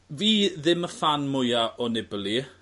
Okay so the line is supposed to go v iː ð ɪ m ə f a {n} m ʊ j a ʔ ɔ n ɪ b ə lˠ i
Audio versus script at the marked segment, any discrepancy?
no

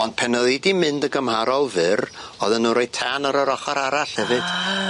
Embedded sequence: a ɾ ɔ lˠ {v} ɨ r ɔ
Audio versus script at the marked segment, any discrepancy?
no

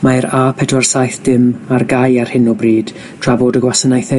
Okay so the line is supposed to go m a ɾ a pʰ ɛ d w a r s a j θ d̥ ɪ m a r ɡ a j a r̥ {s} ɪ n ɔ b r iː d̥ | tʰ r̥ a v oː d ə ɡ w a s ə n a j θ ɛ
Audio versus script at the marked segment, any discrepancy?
yes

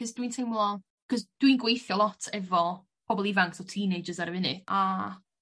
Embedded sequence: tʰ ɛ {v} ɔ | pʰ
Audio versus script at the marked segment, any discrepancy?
no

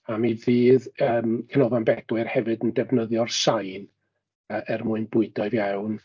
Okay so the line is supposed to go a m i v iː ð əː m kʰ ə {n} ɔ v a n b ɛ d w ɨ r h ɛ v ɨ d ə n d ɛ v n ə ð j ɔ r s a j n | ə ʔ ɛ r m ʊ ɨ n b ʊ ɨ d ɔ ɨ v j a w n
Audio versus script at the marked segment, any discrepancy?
no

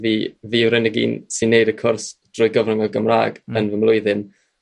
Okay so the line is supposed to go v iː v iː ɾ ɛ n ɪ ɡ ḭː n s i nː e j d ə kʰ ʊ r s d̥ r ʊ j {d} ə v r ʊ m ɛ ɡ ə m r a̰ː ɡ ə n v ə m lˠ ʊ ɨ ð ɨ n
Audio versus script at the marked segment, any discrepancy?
yes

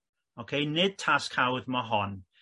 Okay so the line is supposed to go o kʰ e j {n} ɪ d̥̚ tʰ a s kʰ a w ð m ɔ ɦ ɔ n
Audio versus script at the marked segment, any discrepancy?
no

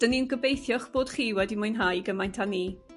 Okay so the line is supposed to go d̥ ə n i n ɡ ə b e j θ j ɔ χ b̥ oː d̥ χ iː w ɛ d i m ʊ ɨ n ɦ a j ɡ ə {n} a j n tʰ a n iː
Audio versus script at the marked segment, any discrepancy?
yes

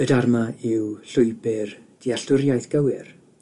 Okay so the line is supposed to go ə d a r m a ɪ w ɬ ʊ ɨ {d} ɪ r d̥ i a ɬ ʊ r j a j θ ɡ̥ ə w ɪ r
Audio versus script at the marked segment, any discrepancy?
yes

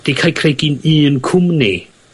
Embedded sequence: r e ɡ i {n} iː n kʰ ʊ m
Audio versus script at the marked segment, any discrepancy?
no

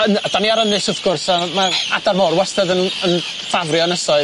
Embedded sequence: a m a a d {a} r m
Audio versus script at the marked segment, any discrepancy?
no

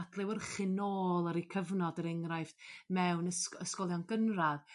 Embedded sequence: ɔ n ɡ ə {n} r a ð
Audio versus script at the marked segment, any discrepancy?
no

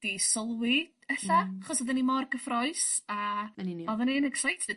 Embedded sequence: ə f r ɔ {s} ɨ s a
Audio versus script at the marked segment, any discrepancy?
yes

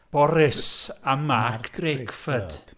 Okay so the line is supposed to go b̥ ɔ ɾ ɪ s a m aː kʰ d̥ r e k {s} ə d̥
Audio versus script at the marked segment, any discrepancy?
yes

